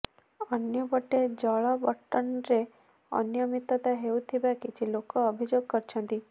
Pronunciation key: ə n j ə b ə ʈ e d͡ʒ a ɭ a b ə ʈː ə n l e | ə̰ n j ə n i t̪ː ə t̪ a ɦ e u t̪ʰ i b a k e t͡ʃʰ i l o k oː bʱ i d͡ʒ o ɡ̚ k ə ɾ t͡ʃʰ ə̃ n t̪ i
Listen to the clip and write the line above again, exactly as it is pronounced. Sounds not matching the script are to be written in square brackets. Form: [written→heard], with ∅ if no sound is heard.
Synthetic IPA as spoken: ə n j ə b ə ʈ e d͡ʒ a ɭ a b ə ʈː ə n [l→ɾ] e | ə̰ n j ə [n→m] i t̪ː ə t̪ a ɦ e u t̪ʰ i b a k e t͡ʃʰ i l o k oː bʱ i d͡ʒ o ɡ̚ k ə ɾ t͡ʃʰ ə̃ n t̪ i